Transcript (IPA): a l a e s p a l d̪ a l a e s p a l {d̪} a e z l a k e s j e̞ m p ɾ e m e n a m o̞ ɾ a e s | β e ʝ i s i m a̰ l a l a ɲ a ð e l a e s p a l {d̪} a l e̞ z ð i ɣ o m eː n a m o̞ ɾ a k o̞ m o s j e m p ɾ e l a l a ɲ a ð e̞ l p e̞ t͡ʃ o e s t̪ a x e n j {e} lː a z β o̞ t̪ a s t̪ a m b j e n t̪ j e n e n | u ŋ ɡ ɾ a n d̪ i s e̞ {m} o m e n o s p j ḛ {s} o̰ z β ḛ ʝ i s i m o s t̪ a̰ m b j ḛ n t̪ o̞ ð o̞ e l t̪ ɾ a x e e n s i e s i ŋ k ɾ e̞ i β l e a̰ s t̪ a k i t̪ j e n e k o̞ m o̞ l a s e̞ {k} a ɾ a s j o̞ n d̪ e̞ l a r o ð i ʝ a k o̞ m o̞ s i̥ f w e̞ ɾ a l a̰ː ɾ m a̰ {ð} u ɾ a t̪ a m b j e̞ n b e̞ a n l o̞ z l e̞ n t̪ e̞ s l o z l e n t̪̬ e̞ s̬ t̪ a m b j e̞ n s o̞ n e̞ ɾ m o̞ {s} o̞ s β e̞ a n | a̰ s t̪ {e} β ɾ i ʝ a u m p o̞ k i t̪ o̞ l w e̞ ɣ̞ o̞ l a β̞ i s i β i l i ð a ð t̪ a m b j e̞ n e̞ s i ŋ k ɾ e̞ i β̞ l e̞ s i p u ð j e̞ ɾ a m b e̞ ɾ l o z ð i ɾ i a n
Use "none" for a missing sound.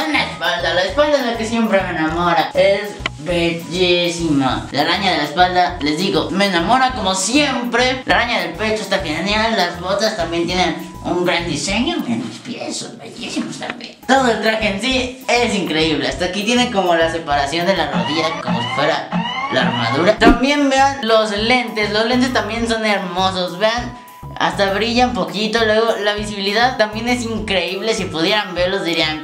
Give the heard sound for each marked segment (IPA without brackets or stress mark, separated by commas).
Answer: d̪, d̪, a, ɲ, s, p, ð, s, a